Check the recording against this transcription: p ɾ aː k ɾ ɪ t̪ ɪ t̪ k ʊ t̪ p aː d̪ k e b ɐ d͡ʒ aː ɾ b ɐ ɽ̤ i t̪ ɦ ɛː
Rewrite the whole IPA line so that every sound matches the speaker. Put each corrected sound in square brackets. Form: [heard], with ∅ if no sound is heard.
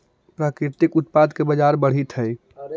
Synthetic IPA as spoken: p ɾ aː k ɾ ɪ t̪ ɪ [∅] k ʊ t̪ p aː d̪ k e b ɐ d͡ʒ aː ɾ b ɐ ɽ̤ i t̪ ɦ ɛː